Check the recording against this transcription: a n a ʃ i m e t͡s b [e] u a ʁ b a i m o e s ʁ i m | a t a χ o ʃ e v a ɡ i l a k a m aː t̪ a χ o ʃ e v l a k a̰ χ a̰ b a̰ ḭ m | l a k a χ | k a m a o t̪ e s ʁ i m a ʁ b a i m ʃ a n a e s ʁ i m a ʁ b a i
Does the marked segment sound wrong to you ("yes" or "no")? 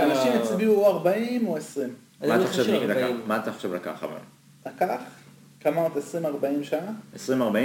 yes